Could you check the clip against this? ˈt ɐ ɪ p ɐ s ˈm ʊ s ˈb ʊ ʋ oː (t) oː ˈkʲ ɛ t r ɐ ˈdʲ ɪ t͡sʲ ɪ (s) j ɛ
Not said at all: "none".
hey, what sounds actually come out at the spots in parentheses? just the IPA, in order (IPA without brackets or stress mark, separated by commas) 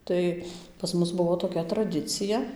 t, none